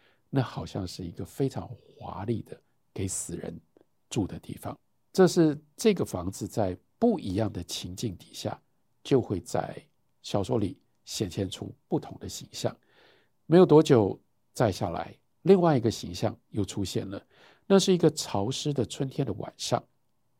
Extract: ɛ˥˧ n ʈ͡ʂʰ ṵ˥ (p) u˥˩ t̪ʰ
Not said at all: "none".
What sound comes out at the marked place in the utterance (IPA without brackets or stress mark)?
p